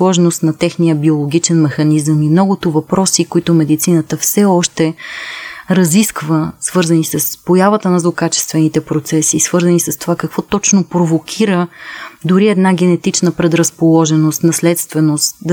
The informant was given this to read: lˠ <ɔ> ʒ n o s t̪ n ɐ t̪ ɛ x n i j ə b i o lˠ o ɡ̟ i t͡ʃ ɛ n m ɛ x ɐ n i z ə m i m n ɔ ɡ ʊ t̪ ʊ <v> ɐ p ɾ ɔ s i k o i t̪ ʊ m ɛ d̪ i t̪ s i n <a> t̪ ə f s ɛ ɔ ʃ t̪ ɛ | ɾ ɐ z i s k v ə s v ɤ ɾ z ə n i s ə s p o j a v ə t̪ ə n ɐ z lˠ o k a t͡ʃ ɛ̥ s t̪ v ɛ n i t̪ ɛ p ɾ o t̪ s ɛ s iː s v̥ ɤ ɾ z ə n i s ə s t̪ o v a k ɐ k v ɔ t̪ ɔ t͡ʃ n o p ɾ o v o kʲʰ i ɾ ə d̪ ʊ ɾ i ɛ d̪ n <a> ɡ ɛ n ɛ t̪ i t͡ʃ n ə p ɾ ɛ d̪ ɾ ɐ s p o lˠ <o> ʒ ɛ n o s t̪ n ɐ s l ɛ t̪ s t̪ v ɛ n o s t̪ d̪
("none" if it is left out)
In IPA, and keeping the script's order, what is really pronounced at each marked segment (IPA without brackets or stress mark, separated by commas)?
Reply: ɔ, v, ə, a, ɔ